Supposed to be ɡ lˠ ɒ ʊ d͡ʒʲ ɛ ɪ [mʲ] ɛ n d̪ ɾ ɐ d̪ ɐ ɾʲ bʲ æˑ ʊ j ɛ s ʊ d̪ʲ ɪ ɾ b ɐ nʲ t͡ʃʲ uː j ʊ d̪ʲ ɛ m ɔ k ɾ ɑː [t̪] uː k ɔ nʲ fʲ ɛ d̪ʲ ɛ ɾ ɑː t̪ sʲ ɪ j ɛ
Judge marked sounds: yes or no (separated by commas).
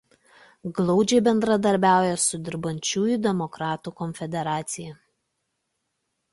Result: no, yes